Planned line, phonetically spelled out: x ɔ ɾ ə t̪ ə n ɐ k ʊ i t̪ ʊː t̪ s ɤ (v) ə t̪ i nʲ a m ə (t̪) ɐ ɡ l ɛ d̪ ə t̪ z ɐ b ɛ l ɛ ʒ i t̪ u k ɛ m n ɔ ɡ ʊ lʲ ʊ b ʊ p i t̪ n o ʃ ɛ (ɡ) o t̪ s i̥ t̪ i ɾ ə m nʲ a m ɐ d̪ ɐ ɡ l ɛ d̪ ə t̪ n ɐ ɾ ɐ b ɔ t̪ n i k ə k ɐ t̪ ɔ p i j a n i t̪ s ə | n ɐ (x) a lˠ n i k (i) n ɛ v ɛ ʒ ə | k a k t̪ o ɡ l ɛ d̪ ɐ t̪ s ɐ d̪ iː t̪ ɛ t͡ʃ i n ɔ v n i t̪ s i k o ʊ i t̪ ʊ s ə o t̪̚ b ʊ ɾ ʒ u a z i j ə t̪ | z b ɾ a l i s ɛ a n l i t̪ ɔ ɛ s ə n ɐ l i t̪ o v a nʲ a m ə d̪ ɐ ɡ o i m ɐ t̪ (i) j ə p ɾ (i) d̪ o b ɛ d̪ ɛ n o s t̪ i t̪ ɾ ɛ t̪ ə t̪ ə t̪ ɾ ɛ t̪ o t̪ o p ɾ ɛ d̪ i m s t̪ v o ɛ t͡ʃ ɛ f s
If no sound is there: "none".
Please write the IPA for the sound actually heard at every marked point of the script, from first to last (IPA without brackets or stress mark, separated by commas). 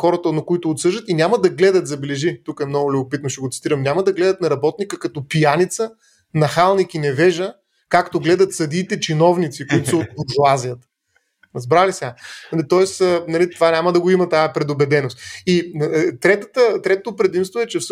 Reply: ʒ, d̪, ɡ, x, i, a, ɛ